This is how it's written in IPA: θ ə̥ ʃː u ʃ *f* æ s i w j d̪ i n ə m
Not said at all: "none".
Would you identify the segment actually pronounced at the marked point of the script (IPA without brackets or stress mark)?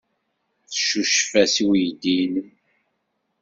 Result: f